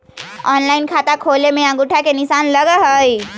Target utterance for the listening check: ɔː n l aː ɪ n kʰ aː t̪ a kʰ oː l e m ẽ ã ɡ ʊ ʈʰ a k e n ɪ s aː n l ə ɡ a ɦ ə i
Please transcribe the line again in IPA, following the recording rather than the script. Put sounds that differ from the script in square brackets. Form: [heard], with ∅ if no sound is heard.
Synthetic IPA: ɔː n l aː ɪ n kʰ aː t̪ a kʰ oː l e m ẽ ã ɡ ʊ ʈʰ a k e n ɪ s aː n l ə ɡ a ɦ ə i